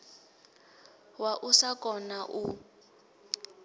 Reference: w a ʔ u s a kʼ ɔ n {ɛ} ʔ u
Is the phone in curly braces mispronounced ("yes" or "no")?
yes